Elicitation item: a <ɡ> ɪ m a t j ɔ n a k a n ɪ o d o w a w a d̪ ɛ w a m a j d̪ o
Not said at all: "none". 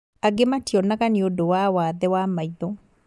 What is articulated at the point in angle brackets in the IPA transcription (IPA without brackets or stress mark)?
ɡ